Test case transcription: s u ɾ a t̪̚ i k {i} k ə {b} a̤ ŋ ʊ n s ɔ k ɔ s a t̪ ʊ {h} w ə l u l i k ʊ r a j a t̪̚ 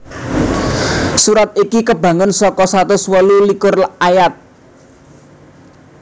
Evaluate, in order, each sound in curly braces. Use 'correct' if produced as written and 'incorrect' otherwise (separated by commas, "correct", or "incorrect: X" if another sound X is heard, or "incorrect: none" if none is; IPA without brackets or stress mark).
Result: correct, correct, incorrect: s